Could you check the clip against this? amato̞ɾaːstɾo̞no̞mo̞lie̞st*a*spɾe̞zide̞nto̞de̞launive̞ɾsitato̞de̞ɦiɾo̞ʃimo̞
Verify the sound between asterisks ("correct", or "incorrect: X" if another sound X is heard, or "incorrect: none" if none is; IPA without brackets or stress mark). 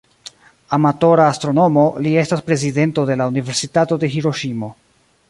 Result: correct